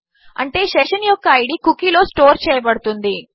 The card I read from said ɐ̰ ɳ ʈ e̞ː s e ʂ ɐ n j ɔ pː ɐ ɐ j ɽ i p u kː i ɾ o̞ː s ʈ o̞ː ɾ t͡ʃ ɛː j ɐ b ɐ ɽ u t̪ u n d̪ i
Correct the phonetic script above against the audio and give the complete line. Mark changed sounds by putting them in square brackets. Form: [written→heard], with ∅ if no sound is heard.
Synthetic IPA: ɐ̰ ɳ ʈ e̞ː [s→ʃ] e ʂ ɐ n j ɔ [pː→kː] ɐ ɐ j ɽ i [p→k] u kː i [ɾ→l] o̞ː s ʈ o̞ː ɾ t͡ʃ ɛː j ɐ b ɐ ɽ u t̪ u n d̪ i